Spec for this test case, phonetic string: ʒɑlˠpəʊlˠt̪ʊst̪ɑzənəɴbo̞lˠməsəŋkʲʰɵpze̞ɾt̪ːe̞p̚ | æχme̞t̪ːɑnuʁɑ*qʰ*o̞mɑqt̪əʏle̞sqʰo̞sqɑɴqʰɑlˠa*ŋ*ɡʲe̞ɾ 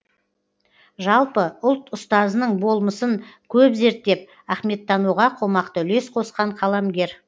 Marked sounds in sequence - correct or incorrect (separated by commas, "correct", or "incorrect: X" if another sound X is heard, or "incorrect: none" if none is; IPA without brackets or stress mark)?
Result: correct, incorrect: m